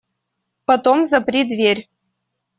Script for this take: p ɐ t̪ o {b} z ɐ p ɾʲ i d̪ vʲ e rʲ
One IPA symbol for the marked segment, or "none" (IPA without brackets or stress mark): m